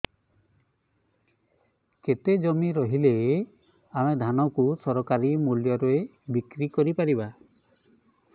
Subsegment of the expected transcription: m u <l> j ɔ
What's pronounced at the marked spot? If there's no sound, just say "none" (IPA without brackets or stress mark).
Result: l